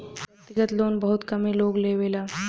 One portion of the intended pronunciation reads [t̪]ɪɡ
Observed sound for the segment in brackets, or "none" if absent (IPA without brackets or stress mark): t̪